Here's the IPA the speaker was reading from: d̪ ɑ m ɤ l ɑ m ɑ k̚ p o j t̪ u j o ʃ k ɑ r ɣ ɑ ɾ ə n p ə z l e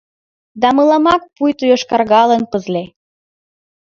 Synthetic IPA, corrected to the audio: d̪ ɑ m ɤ l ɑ m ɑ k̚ p u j t̪ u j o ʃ k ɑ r ɣ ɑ l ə n p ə z l e